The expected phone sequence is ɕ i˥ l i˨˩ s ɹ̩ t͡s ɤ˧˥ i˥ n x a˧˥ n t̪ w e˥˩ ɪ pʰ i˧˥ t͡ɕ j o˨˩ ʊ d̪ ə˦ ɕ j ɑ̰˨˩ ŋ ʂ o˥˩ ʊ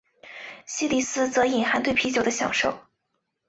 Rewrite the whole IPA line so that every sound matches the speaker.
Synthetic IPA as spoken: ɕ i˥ l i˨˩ s ɹ̩ t͡s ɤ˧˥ i˨˩ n x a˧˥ n t̪ w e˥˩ ɪ pʰ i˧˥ t͡ɕ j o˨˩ ʊ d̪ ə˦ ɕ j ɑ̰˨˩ ŋ ʂ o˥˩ ʊ